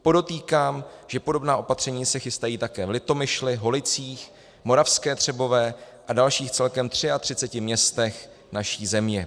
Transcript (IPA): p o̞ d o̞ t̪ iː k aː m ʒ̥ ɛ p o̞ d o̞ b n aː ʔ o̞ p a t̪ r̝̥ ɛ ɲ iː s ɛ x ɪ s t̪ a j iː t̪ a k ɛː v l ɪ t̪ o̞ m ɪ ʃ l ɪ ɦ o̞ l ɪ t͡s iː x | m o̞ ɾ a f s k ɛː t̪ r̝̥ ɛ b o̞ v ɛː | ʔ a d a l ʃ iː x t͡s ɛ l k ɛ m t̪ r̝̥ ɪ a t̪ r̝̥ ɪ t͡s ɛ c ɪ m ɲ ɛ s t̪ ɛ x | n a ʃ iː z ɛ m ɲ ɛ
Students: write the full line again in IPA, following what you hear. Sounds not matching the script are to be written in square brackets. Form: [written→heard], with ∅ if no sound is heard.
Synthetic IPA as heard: p o̞ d o̞ t̪ iː k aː m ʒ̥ ɛ p o̞ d o̞ b n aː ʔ o̞ p a t̪ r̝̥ ɛ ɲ iː s ɛ x ɪ s t̪ a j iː t̪ a k ɛː v l ɪ t̪ o̞ m ɪ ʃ l ɪ ɦ o̞ l ɪ t͡s iː x | m o̞ ɾ a f s k ɛː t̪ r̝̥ ɛ b o̞ v ɛː | ʔ a d a l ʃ iː x t͡s ɛ l k ɛ m t̪ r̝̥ ɪ a t̪ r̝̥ ɪ t͡s ɛ c ɪ m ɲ ɛ s t̪ ɛ x | n a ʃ iː z ɛ m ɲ ɛ